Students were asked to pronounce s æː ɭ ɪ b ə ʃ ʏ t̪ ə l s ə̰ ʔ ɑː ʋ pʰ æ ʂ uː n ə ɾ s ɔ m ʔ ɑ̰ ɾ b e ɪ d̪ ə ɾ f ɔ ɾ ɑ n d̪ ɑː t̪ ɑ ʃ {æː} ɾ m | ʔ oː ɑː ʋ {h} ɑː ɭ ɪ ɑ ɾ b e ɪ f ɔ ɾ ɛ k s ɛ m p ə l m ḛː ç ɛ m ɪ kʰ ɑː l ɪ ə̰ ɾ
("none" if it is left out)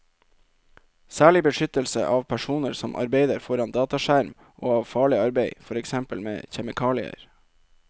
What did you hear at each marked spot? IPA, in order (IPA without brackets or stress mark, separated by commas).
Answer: æ, f